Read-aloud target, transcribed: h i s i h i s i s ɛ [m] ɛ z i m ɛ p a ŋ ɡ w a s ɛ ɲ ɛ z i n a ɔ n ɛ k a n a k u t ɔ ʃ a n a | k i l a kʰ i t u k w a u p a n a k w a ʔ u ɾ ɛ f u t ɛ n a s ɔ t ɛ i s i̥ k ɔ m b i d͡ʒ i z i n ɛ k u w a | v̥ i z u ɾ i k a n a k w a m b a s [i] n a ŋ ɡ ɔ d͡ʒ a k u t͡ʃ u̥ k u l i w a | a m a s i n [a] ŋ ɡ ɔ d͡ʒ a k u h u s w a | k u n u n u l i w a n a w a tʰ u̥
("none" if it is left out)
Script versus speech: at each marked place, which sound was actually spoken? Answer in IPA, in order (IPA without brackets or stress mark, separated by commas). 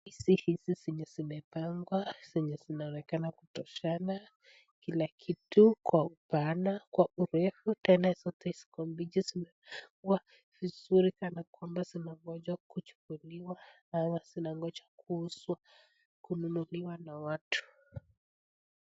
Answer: ɲ, i, a